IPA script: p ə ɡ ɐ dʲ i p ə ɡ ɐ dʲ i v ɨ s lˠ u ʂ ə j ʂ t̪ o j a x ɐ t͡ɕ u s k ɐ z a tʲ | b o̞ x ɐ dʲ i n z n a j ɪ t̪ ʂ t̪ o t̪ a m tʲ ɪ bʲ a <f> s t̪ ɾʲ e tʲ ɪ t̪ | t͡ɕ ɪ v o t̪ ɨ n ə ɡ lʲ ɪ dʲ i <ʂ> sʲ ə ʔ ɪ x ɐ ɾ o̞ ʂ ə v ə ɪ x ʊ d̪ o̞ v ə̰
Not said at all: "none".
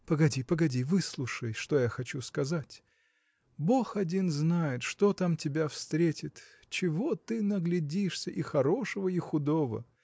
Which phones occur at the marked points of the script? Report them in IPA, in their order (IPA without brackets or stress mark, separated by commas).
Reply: f, ʂ